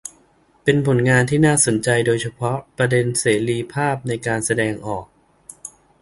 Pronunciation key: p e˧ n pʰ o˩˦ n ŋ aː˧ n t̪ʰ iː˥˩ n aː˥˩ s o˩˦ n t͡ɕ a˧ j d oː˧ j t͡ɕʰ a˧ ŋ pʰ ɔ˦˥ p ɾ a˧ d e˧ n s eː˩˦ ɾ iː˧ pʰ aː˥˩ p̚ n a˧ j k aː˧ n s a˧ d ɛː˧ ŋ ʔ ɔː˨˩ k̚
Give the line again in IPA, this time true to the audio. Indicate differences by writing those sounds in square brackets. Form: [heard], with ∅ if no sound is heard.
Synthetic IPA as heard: p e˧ n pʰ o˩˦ n ŋ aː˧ n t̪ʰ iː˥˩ n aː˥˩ s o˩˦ n t͡ɕ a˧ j d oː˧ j t͡ɕʰ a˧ [∅] pʰ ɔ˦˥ p ɾ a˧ d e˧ n s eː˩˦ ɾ iː˧ pʰ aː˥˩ p̚ n a˧ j k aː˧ n s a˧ d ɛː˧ ŋ ʔ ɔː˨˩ k̚